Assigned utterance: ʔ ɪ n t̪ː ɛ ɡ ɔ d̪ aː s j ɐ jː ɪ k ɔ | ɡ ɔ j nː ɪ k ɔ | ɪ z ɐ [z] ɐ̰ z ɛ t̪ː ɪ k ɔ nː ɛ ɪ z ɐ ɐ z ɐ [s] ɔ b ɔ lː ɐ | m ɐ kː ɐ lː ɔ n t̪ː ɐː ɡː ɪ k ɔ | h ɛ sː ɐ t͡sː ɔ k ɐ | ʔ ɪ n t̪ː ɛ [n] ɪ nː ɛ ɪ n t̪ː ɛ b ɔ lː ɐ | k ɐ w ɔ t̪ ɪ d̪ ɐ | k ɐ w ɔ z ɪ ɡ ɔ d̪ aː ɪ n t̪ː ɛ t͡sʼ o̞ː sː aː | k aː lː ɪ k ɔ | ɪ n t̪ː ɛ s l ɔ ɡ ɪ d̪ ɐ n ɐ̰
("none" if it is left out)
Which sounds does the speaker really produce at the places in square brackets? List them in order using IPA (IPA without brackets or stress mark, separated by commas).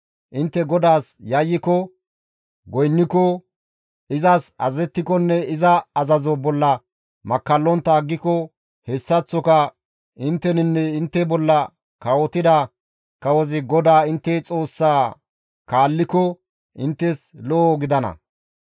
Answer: s, z, n